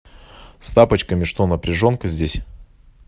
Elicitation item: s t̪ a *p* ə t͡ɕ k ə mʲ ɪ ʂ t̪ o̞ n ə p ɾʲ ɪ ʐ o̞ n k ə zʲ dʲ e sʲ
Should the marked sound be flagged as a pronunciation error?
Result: no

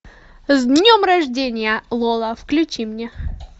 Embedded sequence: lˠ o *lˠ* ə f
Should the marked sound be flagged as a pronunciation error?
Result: no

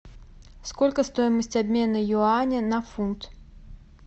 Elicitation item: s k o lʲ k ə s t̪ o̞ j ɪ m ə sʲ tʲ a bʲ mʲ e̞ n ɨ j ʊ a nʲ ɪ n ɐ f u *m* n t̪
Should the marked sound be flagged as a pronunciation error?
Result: yes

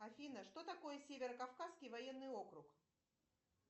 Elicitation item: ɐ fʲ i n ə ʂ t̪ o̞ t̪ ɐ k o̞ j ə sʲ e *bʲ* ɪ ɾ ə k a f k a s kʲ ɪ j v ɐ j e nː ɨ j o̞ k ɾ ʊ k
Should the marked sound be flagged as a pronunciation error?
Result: yes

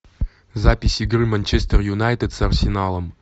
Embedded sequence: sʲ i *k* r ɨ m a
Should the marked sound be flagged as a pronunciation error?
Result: yes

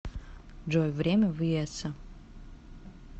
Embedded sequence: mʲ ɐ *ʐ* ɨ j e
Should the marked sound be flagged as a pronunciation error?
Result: yes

